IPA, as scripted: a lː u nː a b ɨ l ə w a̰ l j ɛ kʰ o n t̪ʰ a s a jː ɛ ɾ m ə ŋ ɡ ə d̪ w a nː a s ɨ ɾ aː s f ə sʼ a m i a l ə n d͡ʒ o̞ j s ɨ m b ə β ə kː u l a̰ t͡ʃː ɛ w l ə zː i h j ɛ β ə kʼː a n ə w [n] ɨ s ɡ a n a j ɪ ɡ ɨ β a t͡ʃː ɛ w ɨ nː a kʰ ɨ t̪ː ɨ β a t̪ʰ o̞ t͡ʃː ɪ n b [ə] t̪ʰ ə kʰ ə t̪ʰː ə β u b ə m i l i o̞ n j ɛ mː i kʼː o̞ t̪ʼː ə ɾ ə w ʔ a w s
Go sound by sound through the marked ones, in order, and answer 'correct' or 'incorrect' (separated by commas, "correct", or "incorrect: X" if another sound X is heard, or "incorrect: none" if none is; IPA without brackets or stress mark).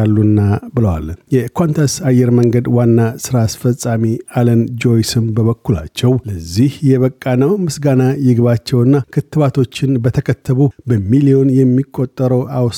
incorrect: m, correct